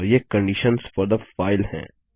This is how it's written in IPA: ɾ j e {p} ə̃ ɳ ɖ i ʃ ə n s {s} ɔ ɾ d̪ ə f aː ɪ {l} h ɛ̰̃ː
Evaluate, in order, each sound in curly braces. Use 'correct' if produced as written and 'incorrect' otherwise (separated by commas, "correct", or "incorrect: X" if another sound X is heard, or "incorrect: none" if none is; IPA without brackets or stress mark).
incorrect: k, incorrect: f, correct